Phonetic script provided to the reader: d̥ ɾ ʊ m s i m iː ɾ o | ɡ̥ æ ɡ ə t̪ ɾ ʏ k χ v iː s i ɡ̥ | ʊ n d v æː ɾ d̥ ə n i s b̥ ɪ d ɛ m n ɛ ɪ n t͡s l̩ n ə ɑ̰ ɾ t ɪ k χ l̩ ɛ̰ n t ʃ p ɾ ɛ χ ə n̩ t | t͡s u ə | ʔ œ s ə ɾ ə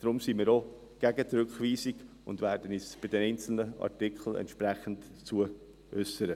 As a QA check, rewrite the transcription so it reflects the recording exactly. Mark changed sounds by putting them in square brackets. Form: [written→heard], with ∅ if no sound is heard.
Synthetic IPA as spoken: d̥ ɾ ʊ m s i m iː ɾ o | ɡ̥ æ ɡ ə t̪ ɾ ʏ k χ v iː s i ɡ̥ | ʊ n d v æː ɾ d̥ ə n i s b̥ ɪ d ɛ [m→∅] n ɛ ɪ n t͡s l̩ n ə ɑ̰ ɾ t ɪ k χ l̩ ɛ̰ n t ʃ p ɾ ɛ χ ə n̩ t | t͡s u ə | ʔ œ s ə ɾ ə